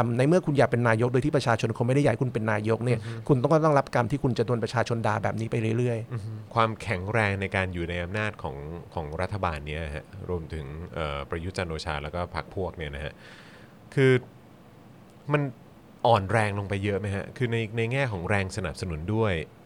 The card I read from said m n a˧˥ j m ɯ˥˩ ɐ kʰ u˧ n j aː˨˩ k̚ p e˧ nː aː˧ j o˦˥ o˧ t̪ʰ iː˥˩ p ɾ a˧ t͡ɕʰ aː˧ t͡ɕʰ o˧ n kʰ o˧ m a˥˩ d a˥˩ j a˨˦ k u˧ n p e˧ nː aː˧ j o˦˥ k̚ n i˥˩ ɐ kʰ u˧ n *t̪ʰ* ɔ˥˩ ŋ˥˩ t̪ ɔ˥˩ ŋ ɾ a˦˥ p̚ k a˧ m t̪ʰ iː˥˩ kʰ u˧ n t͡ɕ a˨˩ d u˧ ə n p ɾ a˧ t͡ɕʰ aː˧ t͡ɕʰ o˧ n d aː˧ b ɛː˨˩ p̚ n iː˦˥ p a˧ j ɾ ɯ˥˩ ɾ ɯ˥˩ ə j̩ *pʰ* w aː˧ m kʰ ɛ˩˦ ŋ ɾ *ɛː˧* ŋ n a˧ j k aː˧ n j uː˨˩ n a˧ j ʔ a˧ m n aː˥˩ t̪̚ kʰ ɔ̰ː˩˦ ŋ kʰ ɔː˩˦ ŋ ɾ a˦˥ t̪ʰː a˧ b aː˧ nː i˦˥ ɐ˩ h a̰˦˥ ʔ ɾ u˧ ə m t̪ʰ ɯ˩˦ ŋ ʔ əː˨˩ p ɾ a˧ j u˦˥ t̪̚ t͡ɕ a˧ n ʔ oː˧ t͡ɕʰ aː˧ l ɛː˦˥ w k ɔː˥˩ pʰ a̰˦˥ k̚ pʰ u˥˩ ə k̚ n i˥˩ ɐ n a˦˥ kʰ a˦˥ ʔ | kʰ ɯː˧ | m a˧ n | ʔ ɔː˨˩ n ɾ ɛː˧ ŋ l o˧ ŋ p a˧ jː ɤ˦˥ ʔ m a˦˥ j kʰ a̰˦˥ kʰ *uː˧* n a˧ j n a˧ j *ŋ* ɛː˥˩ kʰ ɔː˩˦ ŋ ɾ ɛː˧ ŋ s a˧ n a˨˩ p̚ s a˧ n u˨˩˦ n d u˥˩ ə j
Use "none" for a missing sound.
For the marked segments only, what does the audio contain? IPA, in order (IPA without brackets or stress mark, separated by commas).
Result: t̪, kʰ, ɛː˧, ɯː˧, ŋ